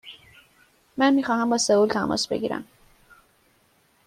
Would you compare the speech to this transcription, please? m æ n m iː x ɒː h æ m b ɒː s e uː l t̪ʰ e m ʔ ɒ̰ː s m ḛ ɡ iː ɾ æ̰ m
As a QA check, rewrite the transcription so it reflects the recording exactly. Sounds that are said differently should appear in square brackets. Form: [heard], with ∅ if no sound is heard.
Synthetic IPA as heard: m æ n m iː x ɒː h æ m b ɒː s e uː l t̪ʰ [æ] m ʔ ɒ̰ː s [b] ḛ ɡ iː ɾ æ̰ m